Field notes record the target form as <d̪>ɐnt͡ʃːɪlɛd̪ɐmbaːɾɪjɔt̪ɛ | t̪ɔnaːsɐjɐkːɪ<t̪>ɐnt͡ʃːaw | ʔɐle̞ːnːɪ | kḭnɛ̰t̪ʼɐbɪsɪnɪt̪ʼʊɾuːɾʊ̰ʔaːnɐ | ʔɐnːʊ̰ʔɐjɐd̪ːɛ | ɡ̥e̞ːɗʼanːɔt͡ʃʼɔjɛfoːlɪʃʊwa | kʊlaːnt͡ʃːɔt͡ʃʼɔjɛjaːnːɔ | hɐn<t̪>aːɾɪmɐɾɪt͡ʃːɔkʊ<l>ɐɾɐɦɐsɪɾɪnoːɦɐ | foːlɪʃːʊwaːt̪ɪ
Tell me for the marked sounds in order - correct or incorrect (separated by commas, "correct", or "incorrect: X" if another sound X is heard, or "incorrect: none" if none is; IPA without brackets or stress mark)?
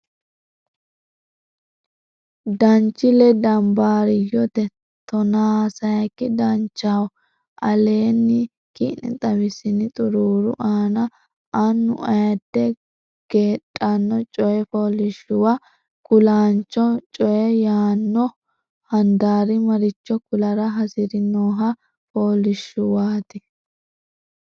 correct, incorrect: d̪, incorrect: d̪, correct